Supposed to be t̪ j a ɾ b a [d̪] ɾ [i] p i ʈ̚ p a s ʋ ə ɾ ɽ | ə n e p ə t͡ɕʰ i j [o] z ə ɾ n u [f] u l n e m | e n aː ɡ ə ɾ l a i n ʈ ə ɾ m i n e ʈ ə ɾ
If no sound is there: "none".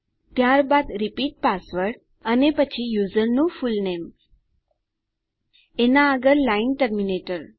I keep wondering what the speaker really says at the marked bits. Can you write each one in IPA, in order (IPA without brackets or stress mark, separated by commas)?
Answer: d̪, i, u, f